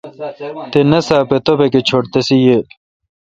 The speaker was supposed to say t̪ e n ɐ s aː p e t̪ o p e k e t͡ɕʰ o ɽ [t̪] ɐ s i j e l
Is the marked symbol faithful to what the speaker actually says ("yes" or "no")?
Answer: yes